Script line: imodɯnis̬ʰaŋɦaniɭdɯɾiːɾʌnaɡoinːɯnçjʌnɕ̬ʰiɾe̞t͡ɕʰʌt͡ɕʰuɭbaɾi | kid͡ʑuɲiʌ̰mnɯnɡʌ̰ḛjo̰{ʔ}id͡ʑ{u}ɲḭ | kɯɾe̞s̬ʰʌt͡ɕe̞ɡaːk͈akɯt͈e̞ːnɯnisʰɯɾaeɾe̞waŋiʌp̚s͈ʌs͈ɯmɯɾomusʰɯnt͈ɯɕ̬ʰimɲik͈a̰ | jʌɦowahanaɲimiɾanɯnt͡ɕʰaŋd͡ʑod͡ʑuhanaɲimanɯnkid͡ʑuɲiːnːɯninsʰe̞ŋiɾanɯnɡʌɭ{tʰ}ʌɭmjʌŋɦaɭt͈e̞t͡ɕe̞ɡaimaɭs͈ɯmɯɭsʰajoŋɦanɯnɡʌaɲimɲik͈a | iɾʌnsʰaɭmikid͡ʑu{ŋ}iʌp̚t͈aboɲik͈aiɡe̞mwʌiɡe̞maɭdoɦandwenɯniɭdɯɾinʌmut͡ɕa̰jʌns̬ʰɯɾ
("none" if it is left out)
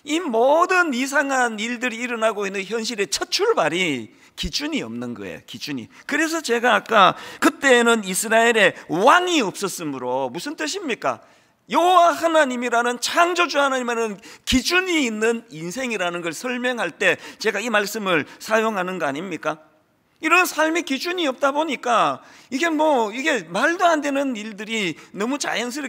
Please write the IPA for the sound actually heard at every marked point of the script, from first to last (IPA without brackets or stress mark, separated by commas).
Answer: k, u, sʰ, ɲ